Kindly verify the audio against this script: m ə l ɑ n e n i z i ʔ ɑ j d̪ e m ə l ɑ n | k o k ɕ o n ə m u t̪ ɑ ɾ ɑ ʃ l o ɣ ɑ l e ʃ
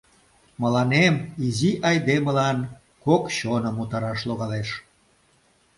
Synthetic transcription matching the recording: m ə l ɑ n e m i z i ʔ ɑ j d̪ e m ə l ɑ n | k o k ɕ o n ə m u t̪ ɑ ɾ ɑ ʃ l o ɣ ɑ l e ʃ